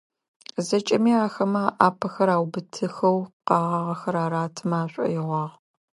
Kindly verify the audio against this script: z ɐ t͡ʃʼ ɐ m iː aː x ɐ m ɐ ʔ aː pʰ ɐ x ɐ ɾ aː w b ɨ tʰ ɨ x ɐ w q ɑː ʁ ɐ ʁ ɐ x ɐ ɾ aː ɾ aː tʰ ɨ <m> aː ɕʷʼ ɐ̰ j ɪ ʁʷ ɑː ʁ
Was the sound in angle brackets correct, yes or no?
yes